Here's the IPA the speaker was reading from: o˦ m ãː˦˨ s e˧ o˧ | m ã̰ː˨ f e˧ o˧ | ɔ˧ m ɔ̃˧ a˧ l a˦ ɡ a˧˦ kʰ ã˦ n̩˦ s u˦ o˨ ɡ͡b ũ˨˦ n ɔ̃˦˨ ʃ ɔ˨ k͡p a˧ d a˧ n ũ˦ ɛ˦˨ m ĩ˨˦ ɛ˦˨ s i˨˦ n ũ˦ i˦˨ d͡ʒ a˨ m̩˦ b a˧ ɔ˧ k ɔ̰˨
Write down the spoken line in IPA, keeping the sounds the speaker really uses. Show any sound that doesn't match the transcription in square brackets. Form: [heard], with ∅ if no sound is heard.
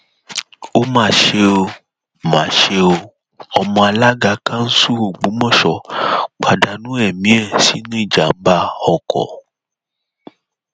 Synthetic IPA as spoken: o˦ m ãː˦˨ [ʃ] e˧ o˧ | m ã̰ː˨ [ʃ] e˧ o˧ | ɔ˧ m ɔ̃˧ a˧ l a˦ ɡ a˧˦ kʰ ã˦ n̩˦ s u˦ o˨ ɡ͡b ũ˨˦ [m] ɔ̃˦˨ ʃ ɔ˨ k͡p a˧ d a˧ n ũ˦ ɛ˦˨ m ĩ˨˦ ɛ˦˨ s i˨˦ n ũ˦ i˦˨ d͡ʒ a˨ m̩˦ b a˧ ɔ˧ k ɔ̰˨